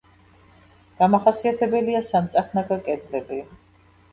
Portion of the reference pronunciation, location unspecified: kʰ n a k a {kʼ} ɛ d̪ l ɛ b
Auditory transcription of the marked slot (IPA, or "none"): kʼ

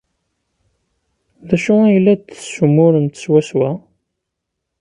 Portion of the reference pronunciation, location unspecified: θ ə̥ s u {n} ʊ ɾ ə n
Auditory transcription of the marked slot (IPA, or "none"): m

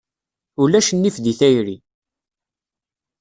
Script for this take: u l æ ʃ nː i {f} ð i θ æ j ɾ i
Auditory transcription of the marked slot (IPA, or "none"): f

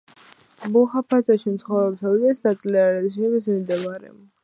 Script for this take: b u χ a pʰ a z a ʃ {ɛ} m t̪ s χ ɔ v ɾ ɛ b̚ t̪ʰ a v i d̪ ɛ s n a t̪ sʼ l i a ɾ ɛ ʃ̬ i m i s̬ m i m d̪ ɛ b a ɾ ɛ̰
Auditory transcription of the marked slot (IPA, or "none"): i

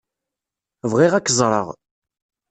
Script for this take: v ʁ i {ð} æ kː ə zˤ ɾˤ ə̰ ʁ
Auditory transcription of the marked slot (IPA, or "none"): ʁ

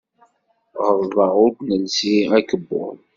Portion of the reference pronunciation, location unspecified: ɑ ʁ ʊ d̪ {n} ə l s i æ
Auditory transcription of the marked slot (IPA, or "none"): n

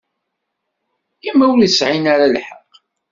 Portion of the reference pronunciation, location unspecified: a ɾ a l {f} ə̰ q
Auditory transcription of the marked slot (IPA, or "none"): ħ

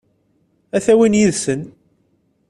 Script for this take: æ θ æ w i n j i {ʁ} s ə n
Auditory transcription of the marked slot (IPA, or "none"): ð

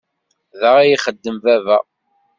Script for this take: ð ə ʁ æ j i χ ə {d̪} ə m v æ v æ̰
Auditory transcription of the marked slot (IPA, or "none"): d̪ː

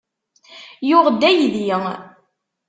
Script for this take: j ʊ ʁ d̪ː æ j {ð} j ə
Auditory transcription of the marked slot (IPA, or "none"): ð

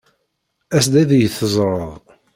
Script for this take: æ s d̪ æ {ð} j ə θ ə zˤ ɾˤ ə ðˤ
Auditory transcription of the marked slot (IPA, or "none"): ð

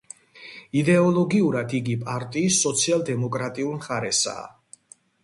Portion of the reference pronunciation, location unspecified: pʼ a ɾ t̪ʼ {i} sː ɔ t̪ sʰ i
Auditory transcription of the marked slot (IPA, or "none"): iː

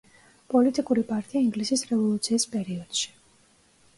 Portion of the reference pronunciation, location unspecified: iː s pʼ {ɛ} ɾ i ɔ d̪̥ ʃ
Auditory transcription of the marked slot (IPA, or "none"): ɛ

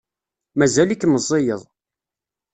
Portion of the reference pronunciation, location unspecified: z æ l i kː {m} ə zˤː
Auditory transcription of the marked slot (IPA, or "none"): m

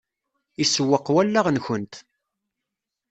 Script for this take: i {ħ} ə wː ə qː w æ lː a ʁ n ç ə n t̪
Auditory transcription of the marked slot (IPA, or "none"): s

